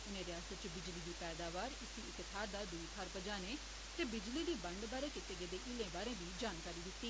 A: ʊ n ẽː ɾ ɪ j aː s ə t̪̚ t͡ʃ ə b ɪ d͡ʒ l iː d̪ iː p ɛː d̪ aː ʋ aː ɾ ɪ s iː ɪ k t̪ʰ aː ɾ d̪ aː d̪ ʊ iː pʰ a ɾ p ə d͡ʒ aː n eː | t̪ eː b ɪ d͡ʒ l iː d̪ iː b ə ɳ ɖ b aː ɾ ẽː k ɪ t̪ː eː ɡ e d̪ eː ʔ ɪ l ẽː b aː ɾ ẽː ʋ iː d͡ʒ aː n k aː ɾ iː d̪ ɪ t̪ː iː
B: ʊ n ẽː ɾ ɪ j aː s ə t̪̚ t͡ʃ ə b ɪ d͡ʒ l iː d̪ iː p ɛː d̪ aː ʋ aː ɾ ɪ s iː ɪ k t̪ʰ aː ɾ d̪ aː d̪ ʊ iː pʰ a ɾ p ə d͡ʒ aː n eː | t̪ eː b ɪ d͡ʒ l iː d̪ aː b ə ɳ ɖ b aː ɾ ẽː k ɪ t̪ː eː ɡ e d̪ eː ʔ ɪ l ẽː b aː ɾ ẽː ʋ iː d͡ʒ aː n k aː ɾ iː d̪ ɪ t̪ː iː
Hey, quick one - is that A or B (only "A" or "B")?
A